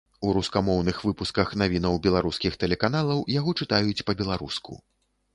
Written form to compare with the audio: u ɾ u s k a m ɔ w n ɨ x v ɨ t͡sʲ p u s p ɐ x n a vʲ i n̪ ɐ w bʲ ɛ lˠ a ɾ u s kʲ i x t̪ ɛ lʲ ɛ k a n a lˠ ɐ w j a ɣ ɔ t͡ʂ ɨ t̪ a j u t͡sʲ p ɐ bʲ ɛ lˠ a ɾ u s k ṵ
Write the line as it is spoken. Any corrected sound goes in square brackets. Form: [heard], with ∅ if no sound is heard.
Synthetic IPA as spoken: u ɾ u s k a m ɔ w n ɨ x v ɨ [∅] p u s [k] ɐ x n a vʲ i n̪ ɐ w bʲ ɛ lˠ a ɾ u s kʲ i x t̪ ɛ lʲ ɛ k a n a lˠ ɐ w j a ɣ ɔ t͡ʂ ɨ t̪ a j u t͡sʲ p ɐ bʲ ɛ lˠ a ɾ u s k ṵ